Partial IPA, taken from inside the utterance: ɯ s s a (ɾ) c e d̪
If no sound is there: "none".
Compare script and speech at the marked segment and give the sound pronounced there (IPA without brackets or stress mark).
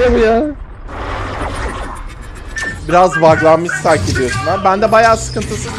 ɾ